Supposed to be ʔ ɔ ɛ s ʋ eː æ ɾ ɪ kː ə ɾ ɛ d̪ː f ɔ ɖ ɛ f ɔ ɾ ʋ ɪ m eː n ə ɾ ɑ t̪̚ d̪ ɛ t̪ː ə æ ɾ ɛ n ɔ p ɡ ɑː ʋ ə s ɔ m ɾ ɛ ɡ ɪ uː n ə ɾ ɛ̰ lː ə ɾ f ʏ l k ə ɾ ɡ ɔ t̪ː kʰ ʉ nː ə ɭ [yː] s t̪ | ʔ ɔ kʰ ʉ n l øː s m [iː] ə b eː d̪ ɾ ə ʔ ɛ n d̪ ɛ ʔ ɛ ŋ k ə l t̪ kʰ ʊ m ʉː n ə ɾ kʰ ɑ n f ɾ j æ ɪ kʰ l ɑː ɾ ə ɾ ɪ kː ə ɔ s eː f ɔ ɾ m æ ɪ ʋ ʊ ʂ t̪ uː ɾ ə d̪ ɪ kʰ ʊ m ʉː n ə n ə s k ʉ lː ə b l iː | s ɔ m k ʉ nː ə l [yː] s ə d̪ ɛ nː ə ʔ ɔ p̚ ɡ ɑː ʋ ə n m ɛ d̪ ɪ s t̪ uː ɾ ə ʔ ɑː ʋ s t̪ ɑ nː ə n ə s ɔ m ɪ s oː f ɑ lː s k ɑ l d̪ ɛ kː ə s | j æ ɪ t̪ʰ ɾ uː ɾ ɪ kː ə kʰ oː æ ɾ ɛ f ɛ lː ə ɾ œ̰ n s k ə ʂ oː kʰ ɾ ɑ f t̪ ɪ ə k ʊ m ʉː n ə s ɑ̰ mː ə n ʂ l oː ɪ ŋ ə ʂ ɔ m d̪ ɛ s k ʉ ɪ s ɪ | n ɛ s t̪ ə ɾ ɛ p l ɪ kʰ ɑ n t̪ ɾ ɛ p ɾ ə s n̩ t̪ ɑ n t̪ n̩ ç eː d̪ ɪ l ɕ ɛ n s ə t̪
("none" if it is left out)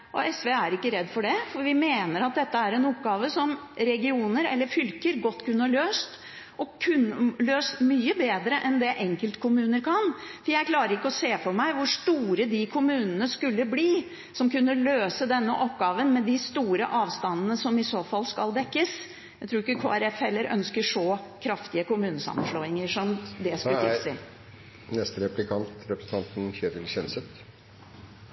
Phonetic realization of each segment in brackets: øː, yː, øː

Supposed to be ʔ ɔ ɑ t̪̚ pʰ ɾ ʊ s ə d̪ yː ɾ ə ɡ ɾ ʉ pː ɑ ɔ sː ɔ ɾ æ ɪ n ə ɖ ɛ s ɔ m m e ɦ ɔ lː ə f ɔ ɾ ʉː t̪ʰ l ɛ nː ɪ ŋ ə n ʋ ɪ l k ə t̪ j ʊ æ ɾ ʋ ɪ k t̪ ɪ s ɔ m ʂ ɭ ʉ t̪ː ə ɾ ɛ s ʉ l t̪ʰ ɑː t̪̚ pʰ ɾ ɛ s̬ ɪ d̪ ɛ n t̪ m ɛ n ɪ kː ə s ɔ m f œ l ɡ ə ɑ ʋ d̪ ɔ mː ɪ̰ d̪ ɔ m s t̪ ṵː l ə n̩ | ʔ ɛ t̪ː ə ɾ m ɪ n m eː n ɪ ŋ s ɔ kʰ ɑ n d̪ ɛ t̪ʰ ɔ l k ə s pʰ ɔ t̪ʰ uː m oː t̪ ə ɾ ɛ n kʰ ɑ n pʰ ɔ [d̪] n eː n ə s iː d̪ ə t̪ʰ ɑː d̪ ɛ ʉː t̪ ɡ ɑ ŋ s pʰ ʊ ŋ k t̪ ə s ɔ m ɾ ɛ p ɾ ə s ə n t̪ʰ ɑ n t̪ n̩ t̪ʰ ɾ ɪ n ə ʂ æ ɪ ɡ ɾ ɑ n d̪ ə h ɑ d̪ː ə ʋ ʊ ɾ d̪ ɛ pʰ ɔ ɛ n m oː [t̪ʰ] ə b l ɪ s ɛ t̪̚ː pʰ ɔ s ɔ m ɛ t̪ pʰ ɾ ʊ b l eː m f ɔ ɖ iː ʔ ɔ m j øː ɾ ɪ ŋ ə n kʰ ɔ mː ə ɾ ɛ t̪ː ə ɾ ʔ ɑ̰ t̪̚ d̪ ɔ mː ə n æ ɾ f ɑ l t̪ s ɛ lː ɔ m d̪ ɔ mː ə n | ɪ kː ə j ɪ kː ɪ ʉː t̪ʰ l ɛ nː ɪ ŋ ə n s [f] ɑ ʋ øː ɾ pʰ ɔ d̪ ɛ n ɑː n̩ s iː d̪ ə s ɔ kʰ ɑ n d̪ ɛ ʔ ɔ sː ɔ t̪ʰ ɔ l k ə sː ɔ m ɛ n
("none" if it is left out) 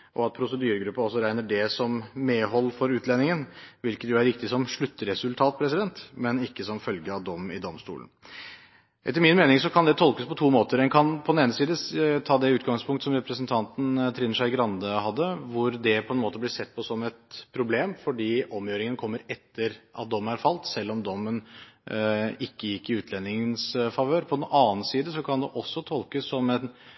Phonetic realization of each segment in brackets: d̪, t̪, f

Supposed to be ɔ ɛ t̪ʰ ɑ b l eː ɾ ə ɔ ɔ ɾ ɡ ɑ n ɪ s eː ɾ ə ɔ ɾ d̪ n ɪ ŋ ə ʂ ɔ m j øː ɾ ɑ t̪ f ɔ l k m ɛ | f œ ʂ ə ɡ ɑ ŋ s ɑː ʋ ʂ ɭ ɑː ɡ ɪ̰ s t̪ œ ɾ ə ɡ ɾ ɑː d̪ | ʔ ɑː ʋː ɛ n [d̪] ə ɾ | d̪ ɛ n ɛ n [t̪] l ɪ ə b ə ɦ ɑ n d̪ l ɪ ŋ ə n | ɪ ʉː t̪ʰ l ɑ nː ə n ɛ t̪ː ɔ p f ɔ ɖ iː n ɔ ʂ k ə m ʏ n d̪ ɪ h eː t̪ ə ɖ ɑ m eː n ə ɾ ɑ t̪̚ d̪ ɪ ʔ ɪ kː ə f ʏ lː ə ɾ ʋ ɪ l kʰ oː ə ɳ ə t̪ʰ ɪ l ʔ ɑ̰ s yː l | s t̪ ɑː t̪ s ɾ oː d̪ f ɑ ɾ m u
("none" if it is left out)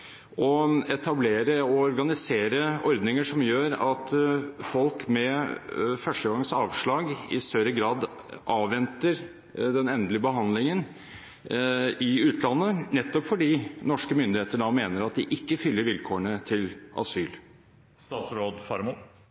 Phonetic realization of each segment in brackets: t̪, d̪

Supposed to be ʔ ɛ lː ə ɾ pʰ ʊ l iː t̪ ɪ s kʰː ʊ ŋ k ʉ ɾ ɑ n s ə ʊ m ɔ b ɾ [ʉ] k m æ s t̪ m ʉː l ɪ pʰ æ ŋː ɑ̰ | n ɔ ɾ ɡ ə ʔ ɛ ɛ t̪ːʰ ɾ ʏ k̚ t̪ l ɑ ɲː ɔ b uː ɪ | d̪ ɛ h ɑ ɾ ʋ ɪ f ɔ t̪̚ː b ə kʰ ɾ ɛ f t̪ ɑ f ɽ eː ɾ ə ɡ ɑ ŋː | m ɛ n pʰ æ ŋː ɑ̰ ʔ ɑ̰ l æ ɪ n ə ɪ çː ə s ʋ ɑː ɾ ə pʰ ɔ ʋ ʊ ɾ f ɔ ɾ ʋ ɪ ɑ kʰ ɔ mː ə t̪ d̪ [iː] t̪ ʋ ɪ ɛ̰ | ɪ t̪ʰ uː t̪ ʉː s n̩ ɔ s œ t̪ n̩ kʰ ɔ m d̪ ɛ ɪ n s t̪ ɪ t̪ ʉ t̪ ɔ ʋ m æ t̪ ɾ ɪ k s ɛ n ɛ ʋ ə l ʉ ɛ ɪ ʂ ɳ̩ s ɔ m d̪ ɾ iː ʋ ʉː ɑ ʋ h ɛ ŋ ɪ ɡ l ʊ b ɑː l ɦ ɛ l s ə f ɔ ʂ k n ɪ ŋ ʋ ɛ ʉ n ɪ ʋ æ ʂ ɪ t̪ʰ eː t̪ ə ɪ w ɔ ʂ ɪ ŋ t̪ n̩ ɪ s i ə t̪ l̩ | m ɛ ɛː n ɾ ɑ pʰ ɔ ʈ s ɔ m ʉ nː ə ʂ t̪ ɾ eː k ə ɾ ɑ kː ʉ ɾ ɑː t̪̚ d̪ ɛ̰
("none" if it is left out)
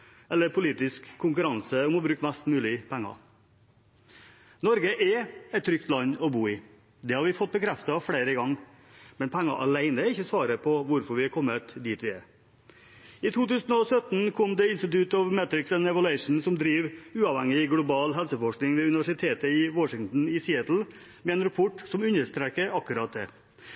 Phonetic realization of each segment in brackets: ʉː, iː

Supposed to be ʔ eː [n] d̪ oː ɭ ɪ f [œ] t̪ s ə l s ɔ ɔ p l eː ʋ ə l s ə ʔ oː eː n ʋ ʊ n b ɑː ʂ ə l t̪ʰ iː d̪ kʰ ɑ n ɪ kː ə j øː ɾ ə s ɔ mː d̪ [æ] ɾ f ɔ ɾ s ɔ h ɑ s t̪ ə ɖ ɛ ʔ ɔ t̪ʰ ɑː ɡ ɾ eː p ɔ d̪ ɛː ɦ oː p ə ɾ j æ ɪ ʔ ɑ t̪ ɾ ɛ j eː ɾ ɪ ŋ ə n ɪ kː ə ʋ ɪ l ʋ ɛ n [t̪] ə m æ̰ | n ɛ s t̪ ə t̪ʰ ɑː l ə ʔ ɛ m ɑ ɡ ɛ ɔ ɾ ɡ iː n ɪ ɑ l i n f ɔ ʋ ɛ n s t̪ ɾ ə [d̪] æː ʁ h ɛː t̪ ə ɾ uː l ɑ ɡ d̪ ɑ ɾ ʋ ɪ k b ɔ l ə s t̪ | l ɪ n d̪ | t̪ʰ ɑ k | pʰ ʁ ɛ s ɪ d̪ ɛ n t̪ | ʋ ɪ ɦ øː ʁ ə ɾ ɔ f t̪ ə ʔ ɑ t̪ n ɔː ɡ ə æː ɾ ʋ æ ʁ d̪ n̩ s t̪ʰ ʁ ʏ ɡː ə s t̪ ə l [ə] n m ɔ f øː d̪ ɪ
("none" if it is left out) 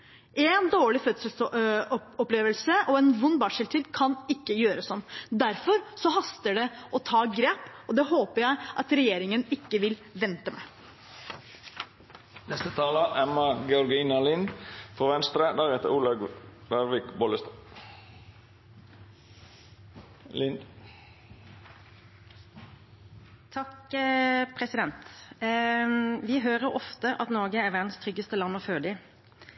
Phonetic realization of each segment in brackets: n, œ, æ, t̪, d̪, ɑ

